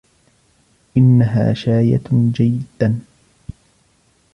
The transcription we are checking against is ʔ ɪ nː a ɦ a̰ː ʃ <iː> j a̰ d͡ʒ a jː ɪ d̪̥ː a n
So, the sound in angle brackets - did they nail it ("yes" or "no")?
no